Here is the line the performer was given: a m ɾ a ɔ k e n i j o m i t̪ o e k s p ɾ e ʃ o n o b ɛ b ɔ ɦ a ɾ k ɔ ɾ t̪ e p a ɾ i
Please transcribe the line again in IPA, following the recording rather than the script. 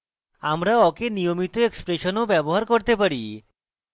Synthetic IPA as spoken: a m ɾ a ɔ k e n i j o m i t̪ o e k s p ɾ e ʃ o n o b ɛ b o ɦ a ɾ k o ɾ t̪ e p a ɾ i